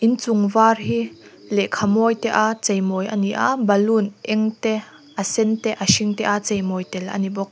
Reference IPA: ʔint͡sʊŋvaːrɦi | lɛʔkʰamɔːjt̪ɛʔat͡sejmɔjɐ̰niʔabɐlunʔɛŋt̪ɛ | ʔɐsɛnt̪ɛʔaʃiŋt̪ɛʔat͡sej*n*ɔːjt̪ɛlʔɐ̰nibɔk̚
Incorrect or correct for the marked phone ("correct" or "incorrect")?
incorrect